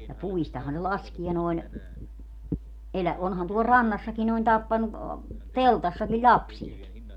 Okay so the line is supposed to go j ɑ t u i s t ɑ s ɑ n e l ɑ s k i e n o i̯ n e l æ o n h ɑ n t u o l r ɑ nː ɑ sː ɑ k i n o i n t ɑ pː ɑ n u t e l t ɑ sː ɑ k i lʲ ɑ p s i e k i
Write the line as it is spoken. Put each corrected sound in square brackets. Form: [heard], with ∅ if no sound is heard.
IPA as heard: j ɑ [p] u i s t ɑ [h] ɑ n e l ɑ s k i e n o i̯ n e l æ o n h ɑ n t u o l r ɑ nː ɑ sː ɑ k i n o i n t ɑ pː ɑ n u t e l t ɑ sː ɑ k i lʲ ɑ p s i e k i